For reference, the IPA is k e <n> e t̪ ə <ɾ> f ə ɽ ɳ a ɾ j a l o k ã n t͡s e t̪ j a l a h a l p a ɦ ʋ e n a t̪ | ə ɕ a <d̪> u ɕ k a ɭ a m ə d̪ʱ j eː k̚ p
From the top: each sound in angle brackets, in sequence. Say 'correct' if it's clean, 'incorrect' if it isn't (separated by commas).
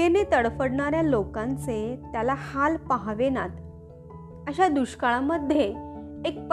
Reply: correct, incorrect, correct